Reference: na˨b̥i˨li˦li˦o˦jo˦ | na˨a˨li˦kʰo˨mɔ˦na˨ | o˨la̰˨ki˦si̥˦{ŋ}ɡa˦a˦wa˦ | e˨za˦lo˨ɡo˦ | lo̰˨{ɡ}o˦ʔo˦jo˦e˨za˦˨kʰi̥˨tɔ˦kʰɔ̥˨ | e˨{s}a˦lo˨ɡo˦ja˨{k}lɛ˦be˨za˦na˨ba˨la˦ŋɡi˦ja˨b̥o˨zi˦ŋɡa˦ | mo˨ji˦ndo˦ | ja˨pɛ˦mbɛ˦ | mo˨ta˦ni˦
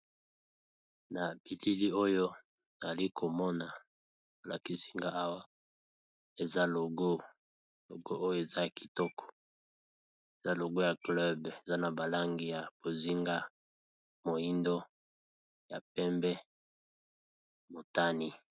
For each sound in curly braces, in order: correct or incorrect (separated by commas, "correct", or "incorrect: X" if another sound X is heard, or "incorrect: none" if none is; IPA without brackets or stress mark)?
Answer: correct, correct, incorrect: z, correct